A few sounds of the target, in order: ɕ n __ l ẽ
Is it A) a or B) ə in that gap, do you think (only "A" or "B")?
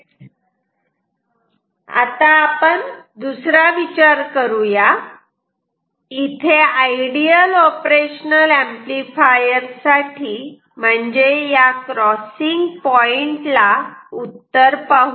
B